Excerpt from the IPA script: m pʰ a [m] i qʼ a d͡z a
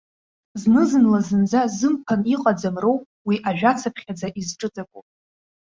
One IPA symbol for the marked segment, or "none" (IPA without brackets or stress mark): n